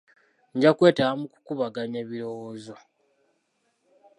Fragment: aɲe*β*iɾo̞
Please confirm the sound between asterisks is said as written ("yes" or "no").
yes